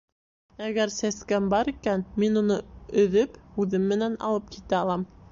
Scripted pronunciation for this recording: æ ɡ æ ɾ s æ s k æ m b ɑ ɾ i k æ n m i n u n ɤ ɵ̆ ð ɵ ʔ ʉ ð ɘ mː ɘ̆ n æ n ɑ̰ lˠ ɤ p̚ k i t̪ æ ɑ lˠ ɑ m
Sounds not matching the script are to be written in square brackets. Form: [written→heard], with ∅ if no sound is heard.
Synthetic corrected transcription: æ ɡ æ ɾ s æ s k æ m b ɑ ɾ i k æ n m i n u n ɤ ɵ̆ ð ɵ [ʔ→p] ʉ ð ɘ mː ɘ̆ n æ n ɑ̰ lˠ ɤ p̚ k i t̪ æ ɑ lˠ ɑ m